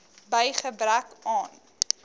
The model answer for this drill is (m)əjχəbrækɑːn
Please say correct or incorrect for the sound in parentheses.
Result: incorrect